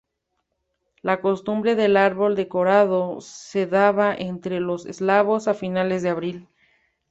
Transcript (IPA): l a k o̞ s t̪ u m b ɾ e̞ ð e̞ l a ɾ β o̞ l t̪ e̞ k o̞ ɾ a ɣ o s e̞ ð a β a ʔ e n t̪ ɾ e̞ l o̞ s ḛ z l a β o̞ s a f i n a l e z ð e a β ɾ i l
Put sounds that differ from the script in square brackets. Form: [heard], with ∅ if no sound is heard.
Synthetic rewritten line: l a k o̞ s t̪ u m b ɾ e̞ ð e̞ l a ɾ β o̞ l [d̪] e̞ k o̞ ɾ a [ð] o s e̞ ð a β a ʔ e n t̪ ɾ e̞ l o̞ s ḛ z l a β o̞ s a f i n a l e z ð e a β ɾ i l